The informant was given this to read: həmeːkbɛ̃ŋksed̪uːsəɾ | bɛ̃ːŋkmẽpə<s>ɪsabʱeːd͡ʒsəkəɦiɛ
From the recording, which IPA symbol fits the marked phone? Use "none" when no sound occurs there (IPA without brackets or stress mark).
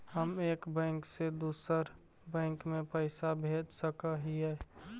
none